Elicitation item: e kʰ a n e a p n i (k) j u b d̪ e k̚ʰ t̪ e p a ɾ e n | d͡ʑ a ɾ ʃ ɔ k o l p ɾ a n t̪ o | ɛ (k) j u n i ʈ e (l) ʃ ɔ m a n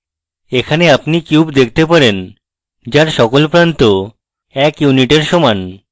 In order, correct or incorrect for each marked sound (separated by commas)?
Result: correct, correct, incorrect